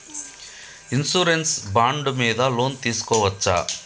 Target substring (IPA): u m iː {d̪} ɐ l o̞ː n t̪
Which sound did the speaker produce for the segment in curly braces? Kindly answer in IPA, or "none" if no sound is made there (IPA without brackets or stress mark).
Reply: d̪